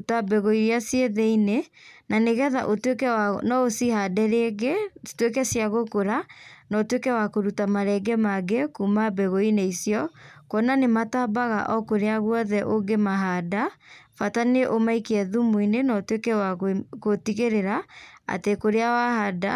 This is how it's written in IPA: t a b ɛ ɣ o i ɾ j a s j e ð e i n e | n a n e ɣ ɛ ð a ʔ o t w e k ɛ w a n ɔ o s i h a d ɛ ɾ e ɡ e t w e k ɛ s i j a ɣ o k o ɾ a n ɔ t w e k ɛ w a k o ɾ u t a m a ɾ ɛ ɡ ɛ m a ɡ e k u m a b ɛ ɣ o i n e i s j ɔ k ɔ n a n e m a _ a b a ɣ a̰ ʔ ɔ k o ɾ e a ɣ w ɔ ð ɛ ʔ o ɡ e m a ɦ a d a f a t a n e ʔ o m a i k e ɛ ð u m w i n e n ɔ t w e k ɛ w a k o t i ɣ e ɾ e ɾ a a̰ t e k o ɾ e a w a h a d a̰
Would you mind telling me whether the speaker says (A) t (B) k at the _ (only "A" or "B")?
A